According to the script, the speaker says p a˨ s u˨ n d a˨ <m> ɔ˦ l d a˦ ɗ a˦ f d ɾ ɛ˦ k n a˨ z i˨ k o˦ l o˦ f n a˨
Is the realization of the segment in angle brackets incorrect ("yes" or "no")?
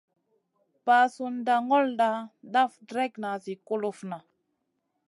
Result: yes